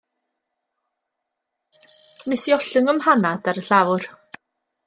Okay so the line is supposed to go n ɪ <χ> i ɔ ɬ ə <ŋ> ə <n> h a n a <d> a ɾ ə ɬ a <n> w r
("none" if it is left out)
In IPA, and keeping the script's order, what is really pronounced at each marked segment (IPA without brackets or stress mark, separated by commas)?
s, ŋ, m, d, none